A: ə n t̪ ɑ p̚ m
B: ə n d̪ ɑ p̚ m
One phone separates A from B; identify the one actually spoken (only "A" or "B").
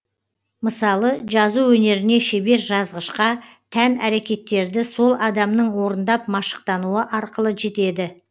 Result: B